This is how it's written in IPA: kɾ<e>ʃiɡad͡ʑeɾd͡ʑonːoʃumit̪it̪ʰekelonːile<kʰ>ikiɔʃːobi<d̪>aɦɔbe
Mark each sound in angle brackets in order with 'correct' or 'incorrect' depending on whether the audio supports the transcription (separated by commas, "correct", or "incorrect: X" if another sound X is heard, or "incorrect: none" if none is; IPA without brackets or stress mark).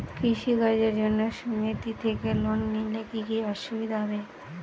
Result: incorrect: i, incorrect: k, correct